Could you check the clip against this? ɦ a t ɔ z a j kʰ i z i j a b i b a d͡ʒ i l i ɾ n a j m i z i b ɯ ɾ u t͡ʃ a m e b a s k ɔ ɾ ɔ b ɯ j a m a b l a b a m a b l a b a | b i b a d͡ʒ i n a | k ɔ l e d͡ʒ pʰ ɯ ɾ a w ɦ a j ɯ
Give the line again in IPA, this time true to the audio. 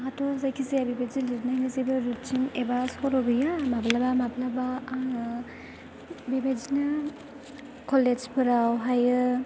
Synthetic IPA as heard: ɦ a t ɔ z a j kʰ i z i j a b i b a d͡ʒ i l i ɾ n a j n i z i b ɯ ɾ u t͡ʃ i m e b a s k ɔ ɾ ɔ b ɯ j a m a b l a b a m a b l a b a | b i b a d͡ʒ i n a | k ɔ l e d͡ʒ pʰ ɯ ɾ a w ɦ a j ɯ

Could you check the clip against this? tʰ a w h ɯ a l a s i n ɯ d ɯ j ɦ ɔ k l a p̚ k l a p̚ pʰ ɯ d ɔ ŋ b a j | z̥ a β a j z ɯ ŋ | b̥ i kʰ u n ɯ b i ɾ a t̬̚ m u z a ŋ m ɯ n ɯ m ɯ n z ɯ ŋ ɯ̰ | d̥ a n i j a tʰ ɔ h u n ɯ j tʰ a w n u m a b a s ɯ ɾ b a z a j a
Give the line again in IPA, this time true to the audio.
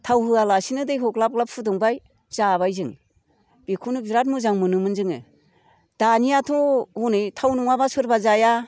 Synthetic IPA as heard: tʰ a w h ɯ a l a s i n ɯ d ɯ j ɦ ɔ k l a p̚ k l a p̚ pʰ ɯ d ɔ ŋ b a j | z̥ a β a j z ɯ ŋ | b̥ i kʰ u n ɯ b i ɾ a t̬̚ m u z a ŋ m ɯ n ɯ m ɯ n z ɯ ŋ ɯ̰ | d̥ a n i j a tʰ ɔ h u n ɯ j tʰ a w n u ŋ a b a s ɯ ɾ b a z a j a

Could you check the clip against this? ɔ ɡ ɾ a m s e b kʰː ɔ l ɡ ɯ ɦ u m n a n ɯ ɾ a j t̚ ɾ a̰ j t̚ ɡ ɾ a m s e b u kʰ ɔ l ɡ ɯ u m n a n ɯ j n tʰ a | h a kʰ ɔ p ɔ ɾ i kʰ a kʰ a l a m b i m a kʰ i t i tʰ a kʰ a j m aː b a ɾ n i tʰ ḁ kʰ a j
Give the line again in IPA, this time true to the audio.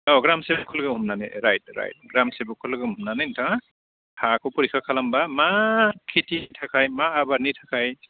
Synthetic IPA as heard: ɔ ɡ ɾ a m s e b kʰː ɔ l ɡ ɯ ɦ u m n a n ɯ ɾ a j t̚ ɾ a̰ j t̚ ɡ ɾ a m s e b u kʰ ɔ l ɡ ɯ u m n a n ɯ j n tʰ a | h a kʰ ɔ p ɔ ɾ i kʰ a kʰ a l a m b a m a kʰ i t i tʰ a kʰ a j m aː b a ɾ n i tʰ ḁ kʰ a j

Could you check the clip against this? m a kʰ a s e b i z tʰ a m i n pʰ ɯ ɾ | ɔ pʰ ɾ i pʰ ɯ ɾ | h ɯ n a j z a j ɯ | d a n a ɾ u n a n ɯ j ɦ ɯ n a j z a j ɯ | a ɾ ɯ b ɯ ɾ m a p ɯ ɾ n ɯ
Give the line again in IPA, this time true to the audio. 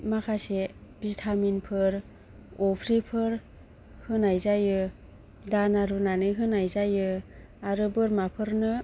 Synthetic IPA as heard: m a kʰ a s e b i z tʰ a m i n pʰ ɯ ɾ | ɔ pʰ ɾ i pʰ ɯ ɾ | h ɯ n a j z a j ɯ | d a n a ɾ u n a n ɯ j ɦ ɯ n a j z a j ɯ | a ɾ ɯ b ɯ ɾ m a pʰ ɯ ɾ n ɯ

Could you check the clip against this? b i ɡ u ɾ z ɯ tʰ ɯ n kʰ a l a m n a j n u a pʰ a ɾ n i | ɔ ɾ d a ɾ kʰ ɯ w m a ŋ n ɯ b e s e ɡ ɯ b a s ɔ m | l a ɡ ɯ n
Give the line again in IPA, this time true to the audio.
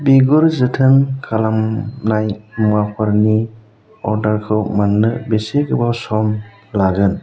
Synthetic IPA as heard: b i ɡ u ɾ z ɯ tʰ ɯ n kʰ a l a m n a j m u a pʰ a ɾ n i | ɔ ɾ d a ɾ kʰ ɯ w m a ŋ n ɯ b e s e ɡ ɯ b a s ɔ m | l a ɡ ɯ n

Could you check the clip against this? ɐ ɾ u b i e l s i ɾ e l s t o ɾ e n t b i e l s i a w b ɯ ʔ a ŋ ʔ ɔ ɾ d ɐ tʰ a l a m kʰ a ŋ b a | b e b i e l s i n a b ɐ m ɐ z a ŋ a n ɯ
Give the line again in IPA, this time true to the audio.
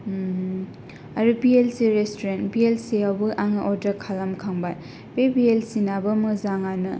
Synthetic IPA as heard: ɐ ɾ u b i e l s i ɾ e s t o ɾ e n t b i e l s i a w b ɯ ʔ a ŋ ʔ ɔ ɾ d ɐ kʰ a l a m kʰ a ŋ b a | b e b i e l s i n a b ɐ m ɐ z a ŋ a n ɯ

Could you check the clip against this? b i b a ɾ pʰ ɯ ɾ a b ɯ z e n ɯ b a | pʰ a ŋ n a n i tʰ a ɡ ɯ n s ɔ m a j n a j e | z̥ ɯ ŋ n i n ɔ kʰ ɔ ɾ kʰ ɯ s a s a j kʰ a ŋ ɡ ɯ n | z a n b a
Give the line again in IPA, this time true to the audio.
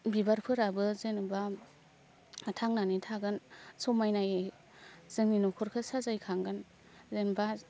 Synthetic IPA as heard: b i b a ɾ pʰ ɯ ɾ a b ɯ z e n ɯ b a | tʰ a ŋ n a n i tʰ a ɡ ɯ n s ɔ m a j n a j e | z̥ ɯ ŋ n i n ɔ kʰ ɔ ɾ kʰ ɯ s a z a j kʰ a ŋ ɡ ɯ n | z e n b a

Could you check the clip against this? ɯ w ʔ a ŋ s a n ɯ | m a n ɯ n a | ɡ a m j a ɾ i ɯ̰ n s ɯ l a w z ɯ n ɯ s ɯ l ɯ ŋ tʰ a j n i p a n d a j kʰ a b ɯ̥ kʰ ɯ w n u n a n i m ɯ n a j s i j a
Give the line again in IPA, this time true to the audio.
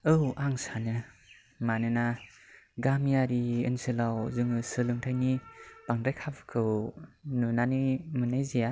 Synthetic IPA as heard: ɯ w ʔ a ŋ s a n ɯ | m a n ɯ n a | ɡ a m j a ɾ i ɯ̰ n s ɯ l a w z ɯ ŋ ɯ s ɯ l ɯ ŋ tʰ a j n i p a ŋ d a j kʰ a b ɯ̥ kʰ ɯ w n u n a n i m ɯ n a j z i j a

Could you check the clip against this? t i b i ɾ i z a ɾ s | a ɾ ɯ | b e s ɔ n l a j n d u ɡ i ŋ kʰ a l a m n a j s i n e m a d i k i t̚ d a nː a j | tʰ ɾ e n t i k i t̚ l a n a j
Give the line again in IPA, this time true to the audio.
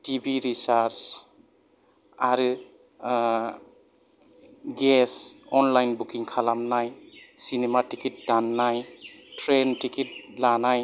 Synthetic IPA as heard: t i b i ɾ i s a ɾ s | a ɾ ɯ | ɡ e s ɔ n l a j n b u k i ŋ kʰ a l a m n a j s i n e m a t i k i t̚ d a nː a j | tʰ ɾ e n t i k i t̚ l a n a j

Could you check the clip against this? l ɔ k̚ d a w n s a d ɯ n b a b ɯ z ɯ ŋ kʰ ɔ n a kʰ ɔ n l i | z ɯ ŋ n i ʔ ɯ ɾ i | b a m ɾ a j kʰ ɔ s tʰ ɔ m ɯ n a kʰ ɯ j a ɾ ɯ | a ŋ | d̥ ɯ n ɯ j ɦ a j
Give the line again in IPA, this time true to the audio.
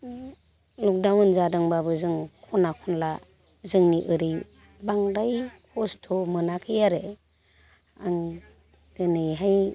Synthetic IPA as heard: l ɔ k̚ d a w n z a d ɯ ŋ b a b ɯ z ɯ ŋ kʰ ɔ n a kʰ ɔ n l a | z ɯ ŋ n i ʔ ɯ ɾ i | b a ŋ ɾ a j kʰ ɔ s tʰ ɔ m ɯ n a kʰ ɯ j a ɾ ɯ | a ŋ | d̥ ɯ n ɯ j ɦ a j

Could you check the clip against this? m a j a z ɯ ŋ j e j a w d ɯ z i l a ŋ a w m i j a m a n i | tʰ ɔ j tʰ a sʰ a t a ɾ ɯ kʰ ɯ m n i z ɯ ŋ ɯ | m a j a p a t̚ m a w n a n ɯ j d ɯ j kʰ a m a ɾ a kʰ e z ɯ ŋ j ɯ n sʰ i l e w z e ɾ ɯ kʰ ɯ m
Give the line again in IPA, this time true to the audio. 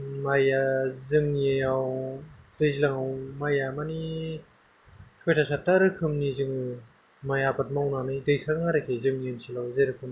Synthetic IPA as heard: m a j a z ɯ ŋ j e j a w d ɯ z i l a ŋ a w m a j a m a n i | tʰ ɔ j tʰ a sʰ a t a ɾ ɯ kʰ ɯ m n i z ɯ ŋ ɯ | m a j a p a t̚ m a w n a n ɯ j d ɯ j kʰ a ŋ a ɾ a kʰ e z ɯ ŋ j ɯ n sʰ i l a w z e ɾ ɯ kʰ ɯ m

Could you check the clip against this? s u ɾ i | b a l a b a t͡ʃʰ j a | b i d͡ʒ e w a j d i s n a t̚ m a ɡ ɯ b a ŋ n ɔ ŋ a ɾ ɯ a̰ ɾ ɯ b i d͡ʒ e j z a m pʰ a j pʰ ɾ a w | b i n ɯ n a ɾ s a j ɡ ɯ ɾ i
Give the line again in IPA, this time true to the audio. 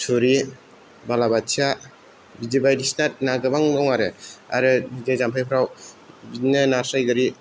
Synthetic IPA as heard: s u ɾ i | b a l a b a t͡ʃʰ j a | b i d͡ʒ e b a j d i s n a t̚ n a ɡ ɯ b a ŋ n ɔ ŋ a ɾ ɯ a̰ ɾ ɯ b i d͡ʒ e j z a m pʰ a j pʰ ɾ a w | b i n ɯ n a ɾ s a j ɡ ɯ ɾ i

